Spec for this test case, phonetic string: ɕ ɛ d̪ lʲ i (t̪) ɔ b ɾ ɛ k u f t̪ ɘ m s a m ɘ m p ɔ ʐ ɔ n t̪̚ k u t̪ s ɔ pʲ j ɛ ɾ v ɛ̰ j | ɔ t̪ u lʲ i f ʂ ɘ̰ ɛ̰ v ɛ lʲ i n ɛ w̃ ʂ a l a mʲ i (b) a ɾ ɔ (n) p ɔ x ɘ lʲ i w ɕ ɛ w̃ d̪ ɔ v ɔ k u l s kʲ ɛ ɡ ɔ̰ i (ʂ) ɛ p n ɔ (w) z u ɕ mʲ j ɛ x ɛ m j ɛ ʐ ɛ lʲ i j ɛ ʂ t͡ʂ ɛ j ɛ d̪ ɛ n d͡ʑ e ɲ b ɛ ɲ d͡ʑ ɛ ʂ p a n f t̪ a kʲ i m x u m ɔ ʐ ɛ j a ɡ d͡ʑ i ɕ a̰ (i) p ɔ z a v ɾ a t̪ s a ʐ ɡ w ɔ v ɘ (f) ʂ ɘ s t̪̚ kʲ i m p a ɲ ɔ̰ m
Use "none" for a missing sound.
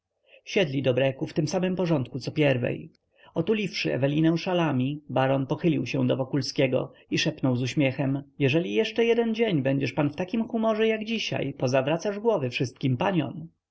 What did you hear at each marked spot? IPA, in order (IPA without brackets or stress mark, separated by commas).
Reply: d̪, b, n, ʂ, w, j, f